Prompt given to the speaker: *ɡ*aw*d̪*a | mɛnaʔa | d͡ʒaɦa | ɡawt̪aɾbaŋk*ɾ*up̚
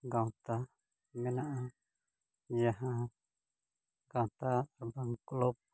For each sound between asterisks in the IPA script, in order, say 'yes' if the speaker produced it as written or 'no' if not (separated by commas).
yes, no, no